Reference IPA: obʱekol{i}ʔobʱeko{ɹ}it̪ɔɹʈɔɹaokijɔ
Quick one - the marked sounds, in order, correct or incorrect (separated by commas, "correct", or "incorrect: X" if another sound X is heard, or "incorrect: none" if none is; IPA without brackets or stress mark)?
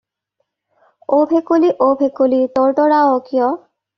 correct, incorrect: l